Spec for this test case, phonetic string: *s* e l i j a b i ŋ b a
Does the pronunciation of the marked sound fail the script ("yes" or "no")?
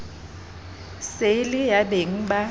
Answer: no